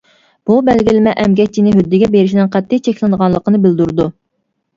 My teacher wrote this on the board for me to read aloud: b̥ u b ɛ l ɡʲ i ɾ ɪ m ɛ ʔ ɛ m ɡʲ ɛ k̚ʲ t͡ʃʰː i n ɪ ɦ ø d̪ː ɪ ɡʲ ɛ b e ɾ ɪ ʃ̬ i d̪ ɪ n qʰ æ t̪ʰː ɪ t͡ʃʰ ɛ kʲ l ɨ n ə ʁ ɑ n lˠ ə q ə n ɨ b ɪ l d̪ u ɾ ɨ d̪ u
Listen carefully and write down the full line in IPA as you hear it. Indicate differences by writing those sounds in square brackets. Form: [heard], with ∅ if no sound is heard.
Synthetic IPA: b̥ u b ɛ l ɡʲ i [l] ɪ m ɛ ʔ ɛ m ɡʲ ɛ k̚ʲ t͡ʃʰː i n ɪ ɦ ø d̪ː ɪ ɡʲ ɛ b e ɾ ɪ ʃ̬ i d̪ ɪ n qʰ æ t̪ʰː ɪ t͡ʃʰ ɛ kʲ l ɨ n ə ʁ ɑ n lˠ ə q ə n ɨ b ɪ l d̪ u ɾ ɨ d̪ u